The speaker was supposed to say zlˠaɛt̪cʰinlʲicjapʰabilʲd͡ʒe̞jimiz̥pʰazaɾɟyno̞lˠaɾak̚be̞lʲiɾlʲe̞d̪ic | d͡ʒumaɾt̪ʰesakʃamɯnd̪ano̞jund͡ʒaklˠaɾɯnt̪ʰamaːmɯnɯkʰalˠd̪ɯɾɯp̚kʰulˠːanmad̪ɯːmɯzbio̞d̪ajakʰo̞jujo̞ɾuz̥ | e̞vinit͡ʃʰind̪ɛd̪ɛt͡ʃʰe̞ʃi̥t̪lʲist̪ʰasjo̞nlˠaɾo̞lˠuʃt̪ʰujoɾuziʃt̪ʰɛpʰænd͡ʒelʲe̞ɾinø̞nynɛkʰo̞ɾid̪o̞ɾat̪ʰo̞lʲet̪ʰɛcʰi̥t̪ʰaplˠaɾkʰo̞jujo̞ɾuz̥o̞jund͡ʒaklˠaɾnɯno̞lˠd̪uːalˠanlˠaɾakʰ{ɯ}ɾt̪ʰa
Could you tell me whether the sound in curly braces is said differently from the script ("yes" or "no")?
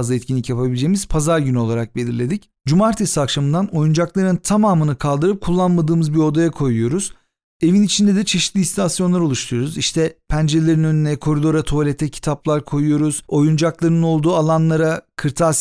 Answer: no